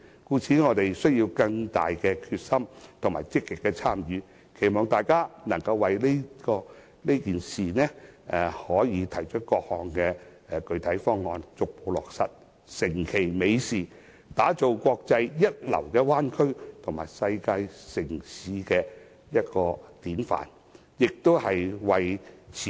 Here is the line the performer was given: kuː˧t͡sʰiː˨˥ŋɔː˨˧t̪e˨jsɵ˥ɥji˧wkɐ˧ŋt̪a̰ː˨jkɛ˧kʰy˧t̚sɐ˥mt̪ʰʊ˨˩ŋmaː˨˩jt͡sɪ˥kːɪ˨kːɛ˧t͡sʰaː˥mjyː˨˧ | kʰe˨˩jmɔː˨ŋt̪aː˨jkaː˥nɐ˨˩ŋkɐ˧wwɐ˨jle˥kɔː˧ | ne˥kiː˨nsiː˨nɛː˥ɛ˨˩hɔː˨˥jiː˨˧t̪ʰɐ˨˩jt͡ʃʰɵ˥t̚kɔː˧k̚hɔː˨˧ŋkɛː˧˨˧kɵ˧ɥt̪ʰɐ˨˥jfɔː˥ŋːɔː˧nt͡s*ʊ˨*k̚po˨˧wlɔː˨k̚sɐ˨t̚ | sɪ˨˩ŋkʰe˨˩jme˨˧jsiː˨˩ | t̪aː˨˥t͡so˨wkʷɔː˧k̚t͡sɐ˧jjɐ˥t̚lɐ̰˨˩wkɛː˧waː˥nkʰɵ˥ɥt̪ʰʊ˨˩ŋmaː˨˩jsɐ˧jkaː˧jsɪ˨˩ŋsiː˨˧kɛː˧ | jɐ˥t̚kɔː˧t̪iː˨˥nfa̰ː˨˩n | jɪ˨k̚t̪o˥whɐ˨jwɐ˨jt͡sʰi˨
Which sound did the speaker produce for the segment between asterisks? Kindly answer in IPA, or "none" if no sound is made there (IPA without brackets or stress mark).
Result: ʊ˨